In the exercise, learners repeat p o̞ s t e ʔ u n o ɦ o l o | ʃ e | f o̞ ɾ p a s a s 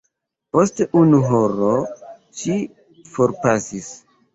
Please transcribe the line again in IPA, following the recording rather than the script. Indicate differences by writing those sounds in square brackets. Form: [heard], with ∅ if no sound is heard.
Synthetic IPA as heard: p o̞ s t e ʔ u n [u] ɦ o [ɾ] o | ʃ [i] | f o̞ ɾ p a s [i] s